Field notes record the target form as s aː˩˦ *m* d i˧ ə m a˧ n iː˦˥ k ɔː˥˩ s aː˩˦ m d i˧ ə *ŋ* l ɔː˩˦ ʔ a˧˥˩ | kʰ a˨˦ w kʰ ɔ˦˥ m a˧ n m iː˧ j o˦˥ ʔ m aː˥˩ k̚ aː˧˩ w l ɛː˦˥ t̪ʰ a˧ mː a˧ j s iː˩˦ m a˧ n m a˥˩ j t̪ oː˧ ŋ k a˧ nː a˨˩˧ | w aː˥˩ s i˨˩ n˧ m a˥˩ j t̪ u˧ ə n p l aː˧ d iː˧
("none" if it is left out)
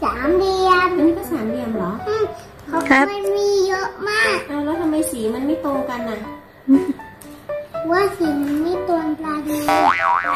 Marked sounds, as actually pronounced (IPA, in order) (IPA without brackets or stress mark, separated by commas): m, m